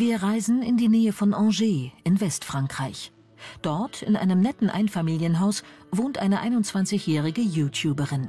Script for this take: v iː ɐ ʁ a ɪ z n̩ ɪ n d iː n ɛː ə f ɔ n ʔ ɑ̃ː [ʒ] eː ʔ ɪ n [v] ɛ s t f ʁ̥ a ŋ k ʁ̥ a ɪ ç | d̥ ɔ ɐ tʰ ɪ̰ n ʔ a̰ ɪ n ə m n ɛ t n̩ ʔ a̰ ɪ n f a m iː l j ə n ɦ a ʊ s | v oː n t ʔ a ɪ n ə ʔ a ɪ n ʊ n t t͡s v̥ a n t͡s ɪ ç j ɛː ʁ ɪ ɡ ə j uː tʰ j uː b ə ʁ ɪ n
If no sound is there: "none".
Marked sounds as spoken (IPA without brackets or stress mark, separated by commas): ʒ, v